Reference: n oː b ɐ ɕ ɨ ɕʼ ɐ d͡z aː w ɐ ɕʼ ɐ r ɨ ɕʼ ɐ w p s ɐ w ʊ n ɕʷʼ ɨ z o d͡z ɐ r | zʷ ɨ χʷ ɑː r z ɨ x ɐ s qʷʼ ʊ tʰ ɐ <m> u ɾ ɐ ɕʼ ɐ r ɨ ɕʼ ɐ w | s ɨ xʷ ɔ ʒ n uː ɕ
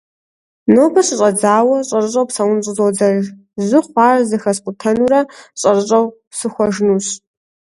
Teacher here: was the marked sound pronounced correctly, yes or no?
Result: no